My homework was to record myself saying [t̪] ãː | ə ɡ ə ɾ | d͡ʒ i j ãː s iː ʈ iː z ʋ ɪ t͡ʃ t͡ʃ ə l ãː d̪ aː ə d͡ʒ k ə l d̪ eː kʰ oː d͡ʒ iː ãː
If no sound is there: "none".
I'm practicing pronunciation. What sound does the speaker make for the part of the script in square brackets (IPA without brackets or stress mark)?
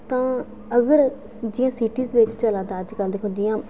t̪